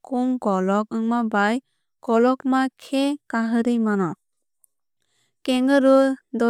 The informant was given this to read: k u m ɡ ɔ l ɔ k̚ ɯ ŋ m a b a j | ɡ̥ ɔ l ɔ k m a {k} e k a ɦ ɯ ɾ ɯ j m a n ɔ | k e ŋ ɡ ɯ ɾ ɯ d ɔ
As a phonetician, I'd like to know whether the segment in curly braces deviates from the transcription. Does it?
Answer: yes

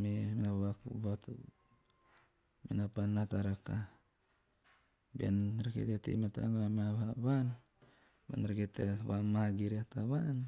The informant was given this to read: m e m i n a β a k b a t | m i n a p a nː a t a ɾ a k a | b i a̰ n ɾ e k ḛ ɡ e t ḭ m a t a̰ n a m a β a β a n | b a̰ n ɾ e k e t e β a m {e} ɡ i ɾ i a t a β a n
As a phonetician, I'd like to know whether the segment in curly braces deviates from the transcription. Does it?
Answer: yes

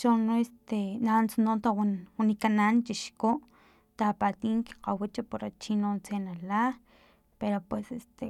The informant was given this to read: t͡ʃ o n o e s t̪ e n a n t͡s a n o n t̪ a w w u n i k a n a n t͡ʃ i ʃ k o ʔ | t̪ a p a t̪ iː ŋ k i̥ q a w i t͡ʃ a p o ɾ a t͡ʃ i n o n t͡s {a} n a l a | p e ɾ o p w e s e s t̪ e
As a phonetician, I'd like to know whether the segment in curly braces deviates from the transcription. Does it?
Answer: yes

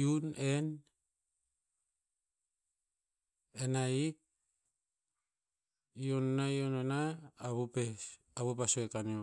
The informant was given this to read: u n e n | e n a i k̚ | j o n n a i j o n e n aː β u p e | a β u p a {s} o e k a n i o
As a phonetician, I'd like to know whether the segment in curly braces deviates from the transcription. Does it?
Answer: no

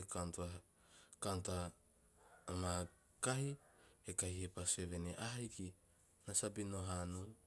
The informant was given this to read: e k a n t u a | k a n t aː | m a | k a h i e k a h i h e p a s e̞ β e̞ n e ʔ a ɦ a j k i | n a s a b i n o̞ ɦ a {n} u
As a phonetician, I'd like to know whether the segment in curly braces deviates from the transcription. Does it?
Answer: no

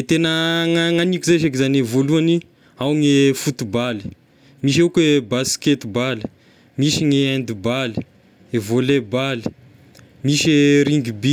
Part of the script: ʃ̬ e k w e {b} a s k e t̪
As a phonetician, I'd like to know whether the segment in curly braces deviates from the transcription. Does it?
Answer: no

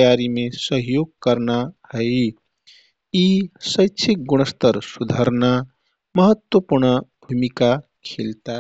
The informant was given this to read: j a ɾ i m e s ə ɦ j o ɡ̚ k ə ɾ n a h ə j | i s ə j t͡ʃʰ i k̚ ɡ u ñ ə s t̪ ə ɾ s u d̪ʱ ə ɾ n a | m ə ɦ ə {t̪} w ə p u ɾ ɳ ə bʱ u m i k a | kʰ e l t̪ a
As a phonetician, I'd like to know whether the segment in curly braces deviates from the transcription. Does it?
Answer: no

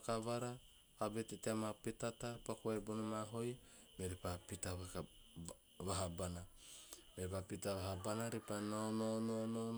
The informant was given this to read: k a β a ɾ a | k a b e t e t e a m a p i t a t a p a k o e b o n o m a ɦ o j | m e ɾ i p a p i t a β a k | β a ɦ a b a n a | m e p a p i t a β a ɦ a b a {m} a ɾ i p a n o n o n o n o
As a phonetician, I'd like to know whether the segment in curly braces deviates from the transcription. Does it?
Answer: yes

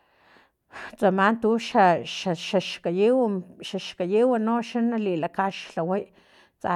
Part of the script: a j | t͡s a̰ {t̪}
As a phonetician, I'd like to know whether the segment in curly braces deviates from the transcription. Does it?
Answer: yes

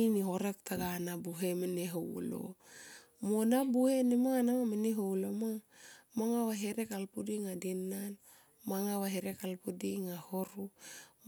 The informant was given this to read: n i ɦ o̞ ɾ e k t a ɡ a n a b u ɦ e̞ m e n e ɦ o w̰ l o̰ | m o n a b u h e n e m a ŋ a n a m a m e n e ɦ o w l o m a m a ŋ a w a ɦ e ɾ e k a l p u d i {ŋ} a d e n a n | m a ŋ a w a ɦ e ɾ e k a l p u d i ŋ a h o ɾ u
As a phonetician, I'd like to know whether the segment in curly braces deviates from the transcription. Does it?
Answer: no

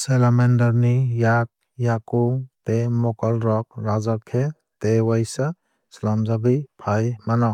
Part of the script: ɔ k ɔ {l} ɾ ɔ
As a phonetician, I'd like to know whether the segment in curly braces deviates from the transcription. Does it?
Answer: no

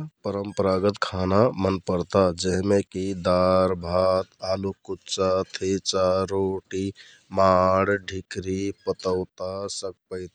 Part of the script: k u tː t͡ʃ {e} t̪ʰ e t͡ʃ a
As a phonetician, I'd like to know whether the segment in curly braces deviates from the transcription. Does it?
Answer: yes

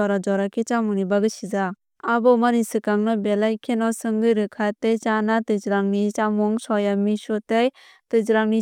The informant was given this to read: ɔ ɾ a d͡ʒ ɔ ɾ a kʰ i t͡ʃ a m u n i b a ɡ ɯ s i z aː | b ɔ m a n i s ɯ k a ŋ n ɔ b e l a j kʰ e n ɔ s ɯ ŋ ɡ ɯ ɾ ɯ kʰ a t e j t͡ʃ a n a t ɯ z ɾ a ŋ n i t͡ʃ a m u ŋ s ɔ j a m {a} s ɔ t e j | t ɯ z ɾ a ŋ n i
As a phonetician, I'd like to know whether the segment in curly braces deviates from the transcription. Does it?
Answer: yes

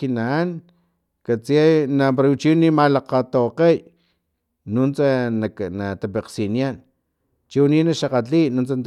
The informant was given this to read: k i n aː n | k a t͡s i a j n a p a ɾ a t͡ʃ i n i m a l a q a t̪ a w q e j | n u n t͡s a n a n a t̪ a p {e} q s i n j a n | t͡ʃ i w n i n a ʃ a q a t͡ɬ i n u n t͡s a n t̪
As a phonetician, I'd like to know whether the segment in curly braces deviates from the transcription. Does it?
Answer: no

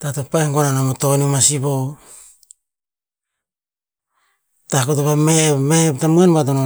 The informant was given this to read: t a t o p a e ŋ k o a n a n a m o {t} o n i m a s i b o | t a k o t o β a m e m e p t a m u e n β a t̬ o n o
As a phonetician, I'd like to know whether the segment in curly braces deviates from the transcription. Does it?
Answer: no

